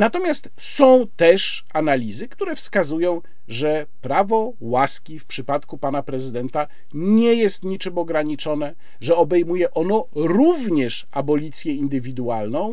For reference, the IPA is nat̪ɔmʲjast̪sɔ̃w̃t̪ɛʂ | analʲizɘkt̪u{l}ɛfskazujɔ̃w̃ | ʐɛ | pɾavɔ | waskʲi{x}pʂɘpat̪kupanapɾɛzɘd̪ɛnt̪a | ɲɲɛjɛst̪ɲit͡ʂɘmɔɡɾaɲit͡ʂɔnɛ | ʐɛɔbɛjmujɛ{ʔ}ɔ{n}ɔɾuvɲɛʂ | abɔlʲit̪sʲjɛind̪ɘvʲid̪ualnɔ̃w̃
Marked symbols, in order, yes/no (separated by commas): no, no, yes, yes